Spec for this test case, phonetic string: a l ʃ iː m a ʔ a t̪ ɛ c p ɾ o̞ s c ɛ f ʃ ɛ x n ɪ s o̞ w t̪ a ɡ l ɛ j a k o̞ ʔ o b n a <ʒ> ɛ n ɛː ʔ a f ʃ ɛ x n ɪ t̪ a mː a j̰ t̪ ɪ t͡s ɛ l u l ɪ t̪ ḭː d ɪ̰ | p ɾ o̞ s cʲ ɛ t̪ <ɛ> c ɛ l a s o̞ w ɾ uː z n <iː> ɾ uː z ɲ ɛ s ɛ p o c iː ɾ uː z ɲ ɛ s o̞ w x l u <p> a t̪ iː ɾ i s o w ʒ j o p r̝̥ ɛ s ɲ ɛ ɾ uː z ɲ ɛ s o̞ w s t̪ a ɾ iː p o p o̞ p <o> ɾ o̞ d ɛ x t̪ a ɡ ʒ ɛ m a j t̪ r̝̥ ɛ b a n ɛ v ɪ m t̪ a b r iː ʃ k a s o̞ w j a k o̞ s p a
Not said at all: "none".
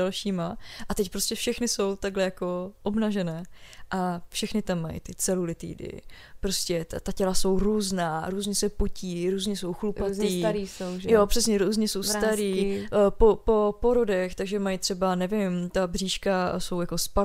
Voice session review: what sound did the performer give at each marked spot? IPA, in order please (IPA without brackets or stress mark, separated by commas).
ʒ, a, aː, p, o